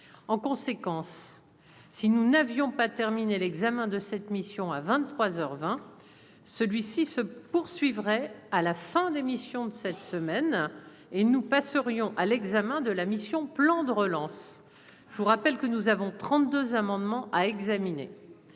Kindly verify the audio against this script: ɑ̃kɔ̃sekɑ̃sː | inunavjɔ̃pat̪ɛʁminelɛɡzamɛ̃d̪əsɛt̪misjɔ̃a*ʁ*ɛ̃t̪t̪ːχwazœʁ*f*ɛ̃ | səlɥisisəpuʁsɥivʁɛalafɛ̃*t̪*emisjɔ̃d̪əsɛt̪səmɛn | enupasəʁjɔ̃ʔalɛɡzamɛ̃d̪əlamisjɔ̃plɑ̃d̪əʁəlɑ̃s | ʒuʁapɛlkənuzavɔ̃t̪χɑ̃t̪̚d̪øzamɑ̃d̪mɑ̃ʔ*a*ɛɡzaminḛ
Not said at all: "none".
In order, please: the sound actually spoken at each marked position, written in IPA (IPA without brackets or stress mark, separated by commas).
v, v, d̪, a